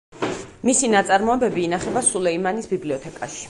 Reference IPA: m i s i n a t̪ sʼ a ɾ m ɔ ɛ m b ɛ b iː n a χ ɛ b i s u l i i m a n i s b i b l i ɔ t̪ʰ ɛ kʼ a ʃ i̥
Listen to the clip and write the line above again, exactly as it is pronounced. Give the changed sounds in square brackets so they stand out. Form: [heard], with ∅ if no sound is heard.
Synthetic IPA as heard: m i s i n a t̪ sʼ a ɾ m ɔ ɛ [∅] b ɛ b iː n a χ ɛ b [a] s u l [ɛ] i m a n i s b i b l i ɔ t̪ʰ ɛ kʼ a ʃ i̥